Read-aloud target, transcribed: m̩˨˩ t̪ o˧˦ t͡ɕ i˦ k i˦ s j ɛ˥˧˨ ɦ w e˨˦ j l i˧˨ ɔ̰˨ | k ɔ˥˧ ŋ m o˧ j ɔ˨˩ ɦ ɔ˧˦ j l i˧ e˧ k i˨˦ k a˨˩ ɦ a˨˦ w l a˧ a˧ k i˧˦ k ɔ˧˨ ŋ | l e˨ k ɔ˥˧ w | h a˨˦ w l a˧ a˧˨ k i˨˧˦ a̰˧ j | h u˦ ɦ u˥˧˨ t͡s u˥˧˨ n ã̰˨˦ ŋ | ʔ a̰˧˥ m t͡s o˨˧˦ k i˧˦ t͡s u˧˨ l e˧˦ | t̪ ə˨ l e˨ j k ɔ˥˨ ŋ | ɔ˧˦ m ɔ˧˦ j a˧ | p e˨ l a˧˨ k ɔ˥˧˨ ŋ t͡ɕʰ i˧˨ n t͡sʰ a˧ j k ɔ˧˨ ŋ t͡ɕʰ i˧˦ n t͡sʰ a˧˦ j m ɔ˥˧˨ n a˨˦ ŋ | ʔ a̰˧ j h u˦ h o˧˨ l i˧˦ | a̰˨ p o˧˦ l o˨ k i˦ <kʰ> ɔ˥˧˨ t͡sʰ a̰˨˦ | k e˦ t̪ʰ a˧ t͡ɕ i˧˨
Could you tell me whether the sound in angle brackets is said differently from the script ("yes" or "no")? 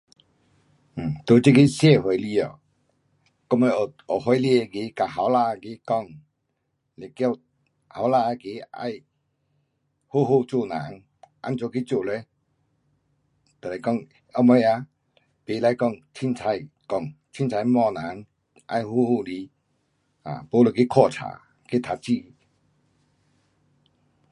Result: no